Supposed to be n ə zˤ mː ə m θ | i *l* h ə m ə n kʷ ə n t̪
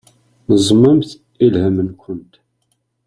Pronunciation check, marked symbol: correct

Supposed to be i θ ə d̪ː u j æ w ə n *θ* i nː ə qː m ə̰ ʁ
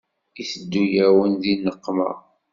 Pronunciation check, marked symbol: incorrect: ð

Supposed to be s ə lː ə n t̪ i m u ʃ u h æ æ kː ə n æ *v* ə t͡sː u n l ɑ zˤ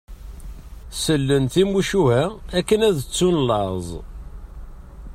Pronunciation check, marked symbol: incorrect: ð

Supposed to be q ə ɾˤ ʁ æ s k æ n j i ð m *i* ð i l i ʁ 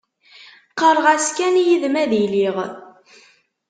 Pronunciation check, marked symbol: incorrect: æ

